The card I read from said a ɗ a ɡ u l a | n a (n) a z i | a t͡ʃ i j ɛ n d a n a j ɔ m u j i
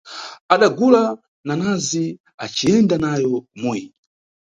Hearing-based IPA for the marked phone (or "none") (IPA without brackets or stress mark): n